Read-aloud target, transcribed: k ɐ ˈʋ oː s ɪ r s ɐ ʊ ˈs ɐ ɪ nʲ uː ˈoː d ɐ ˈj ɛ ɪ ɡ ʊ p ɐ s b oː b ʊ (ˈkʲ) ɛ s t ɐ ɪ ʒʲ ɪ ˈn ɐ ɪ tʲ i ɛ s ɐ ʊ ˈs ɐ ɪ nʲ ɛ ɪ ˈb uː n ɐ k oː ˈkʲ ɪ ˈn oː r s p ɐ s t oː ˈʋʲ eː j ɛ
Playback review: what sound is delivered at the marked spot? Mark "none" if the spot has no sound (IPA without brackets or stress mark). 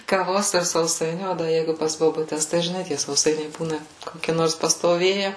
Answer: tʲ